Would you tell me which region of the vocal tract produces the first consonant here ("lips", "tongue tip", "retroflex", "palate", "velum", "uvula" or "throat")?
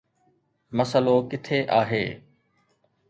lips